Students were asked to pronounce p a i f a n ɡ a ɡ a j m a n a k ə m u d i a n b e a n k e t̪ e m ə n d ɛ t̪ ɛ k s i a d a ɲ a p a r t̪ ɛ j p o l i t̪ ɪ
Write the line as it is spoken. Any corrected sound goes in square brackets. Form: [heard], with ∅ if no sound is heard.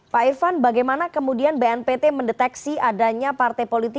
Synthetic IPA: p a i f a n [b] a ɡ a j m a n a k ə m u d i a n b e [ɛ] n [p] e t̪ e m ə n d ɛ t̪ ɛ k s i a d a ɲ a p a r t̪ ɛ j p o l i t̪ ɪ